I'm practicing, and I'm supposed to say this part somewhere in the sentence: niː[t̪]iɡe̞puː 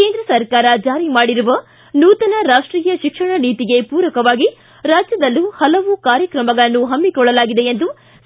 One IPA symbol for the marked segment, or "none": t̪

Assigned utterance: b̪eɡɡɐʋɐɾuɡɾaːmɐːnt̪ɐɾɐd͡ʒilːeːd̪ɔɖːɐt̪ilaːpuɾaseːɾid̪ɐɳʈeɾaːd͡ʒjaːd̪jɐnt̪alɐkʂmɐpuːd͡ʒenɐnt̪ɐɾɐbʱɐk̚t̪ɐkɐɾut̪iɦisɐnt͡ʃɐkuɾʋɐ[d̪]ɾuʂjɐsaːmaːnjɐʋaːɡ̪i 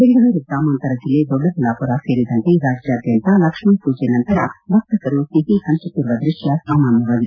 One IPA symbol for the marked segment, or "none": d̪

